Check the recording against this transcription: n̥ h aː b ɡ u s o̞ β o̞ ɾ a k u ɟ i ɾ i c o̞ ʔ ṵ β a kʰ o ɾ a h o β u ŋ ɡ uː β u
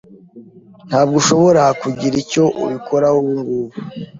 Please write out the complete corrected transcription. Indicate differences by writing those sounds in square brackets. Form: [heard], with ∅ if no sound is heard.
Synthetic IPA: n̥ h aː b ɡ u [ʃ] o̞ β o̞ ɾ a k u ɟ i ɾ i c o̞ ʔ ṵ β [i] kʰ o ɾ a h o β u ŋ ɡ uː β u